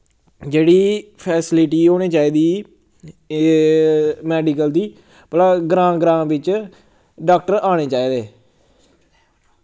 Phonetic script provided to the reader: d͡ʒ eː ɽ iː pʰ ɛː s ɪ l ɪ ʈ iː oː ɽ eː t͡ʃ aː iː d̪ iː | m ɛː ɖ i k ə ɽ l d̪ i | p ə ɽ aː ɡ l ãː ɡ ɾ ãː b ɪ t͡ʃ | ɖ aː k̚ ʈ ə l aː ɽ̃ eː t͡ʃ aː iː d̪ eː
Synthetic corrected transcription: d͡ʒ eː ɽ iː pʰ ɛː s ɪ l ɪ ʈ iː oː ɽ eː t͡ʃ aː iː d̪ iː | m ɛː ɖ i k ə l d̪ iː | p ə l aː ɡ ɾ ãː ɡ ɾ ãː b ɪ t͡ʃ | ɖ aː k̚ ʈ ə ɾ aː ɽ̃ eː t͡ʃ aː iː d̪ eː